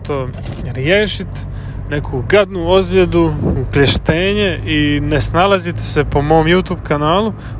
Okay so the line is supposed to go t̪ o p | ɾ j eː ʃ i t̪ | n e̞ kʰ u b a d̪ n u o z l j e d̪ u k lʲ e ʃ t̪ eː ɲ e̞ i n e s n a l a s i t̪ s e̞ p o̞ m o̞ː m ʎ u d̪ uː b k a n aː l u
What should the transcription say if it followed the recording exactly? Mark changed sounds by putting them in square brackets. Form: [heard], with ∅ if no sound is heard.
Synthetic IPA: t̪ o [∅] | ɾ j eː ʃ i t̪ | n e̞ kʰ u [ɡ] a d̪ n u o z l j e d̪ u k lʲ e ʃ t̪ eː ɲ e̞ i n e s n a l a [z] i t̪ s e̞ p o̞ m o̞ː m [j] u [t̪] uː b k a n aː l u